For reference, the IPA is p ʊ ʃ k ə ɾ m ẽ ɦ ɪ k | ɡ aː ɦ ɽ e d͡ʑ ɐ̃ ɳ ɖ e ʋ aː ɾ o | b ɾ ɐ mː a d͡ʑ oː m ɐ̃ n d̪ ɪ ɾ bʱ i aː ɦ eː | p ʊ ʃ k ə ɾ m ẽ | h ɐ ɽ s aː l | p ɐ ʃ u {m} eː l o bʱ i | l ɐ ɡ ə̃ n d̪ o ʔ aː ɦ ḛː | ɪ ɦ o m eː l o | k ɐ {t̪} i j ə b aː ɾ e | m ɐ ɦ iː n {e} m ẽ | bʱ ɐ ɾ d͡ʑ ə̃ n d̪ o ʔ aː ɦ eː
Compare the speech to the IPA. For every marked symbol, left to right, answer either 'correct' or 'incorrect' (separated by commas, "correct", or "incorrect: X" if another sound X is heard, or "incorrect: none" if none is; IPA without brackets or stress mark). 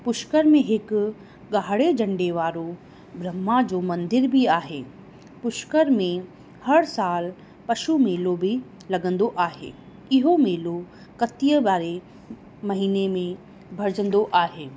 correct, correct, correct